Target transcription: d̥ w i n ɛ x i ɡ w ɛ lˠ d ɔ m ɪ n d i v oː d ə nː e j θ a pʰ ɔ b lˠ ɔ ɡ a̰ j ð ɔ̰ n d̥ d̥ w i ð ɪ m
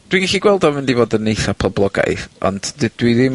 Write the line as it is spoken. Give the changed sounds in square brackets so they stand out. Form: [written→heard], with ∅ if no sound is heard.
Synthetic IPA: d̥ w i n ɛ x i ɡ w ɛ lˠ d ɔ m ɪ n d i v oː d ə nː e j θ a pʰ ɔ b lˠ ɔ ɡ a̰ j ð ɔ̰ n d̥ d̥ w i ð ɪ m